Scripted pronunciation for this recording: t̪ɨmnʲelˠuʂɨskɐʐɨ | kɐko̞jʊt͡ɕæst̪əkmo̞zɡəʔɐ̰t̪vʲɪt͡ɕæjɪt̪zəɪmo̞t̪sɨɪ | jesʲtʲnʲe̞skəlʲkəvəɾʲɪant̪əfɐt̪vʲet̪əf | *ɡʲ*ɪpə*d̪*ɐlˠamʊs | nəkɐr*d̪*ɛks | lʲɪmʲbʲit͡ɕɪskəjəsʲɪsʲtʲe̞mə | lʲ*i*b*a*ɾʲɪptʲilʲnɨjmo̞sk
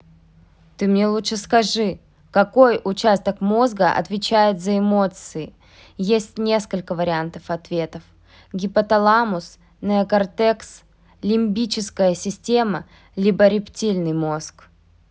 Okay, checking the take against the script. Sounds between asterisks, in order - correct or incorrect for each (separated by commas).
correct, incorrect, incorrect, correct, incorrect